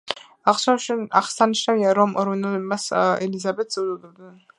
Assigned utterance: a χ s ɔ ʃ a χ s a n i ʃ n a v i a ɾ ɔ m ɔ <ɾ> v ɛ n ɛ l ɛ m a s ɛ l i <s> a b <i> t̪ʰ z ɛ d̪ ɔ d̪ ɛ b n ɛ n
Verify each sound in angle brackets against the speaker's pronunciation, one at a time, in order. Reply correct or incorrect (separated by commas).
correct, incorrect, incorrect